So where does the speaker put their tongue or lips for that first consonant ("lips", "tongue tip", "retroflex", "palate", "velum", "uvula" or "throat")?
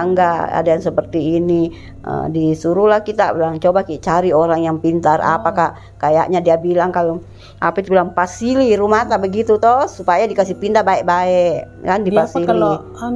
velum